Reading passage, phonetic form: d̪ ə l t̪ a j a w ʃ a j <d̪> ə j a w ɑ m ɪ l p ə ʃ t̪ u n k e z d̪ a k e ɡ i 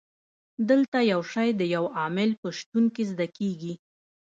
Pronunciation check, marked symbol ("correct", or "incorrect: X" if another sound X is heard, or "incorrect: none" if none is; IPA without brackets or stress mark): correct